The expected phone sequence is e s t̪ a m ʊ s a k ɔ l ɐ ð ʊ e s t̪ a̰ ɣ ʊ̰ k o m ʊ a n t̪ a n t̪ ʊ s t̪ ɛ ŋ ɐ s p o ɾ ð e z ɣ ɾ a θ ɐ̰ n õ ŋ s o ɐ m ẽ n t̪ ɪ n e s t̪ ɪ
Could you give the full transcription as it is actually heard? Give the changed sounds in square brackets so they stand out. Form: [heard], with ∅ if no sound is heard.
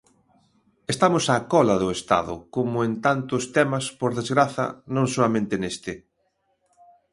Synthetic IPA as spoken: e s t̪ a m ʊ s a k ɔ l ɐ ð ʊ e s t̪ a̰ [ð] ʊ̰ k o m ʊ [e] n t̪ a n t̪ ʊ s t̪ ɛ [m] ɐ s p o ɾ ð e z ɣ ɾ a θ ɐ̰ n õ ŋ s o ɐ m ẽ n t̪ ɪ n e s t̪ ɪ